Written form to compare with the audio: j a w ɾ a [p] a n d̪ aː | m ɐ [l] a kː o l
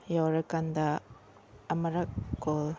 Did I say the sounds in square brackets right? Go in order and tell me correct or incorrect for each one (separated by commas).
incorrect, incorrect